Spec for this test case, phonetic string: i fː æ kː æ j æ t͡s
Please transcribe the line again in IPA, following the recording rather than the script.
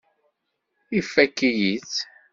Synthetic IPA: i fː æ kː i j i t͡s